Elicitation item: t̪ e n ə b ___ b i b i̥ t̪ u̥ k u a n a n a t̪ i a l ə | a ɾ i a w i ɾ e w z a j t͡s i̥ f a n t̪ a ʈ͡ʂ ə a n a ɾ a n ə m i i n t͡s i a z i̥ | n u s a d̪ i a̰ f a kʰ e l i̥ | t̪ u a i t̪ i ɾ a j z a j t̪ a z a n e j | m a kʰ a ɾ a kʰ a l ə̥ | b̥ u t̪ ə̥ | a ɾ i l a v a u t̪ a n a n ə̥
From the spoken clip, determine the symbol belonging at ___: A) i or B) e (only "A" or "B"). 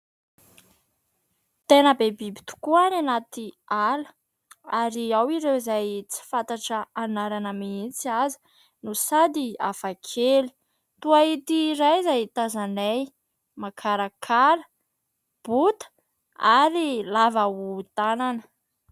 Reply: B